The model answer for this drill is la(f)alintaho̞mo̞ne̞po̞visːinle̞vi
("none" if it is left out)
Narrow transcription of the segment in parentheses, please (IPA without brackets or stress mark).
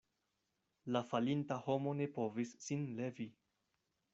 f